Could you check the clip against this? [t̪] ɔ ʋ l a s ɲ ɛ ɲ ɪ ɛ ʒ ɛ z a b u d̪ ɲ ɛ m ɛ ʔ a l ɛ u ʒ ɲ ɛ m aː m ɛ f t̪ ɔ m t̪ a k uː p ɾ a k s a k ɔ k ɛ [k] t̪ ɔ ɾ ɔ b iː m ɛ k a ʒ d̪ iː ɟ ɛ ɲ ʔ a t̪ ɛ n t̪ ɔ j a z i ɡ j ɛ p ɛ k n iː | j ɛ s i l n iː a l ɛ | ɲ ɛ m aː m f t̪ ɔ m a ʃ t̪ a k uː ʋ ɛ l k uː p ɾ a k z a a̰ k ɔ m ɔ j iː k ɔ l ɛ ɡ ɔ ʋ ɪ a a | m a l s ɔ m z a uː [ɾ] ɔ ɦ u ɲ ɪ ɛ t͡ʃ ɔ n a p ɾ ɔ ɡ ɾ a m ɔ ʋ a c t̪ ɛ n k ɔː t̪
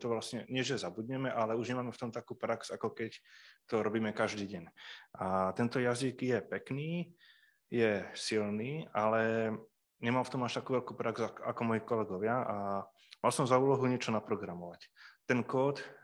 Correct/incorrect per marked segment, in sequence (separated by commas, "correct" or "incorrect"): correct, incorrect, incorrect